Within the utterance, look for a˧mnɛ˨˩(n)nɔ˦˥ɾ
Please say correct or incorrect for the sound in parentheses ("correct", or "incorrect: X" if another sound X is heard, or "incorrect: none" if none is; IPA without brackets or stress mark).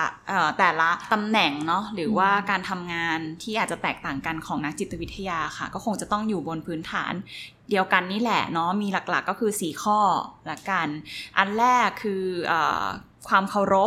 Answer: incorrect: ŋ